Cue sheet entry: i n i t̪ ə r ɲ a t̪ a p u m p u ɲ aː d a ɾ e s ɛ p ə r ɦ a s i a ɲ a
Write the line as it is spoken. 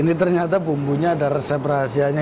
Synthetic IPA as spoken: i n i t̪ ə r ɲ a t̪ a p u m b u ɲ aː d a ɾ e s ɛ p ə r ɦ a s i a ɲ a